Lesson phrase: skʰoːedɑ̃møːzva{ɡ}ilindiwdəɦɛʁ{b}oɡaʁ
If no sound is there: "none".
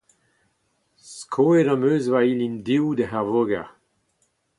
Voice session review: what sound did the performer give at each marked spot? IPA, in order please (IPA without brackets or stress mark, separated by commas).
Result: none, v